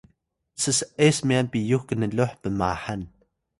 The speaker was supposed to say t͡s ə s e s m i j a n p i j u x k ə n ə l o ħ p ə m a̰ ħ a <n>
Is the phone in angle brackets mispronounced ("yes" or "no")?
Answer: no